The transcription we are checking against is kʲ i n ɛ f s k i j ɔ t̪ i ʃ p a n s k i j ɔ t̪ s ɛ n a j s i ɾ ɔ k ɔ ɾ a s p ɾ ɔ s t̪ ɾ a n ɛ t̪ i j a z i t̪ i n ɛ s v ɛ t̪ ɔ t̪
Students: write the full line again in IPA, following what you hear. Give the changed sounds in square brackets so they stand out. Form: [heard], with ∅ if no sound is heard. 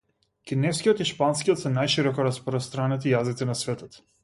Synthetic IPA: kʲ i n ɛ f s k i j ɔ t̪ i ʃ p a n s k i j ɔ t̪ s ɛ n a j [ʃ] i ɾ ɔ k ɔ ɾ a s p ɾ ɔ s t̪ ɾ a n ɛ t̪ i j a z i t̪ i n [a] s v ɛ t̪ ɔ t̪